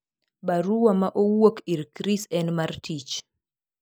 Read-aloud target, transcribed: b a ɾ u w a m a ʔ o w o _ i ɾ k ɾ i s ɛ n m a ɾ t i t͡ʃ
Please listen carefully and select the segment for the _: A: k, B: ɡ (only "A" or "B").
A